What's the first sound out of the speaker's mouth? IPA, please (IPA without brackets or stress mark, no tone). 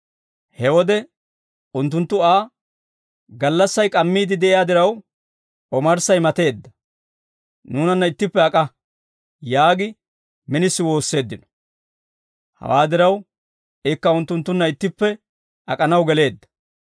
h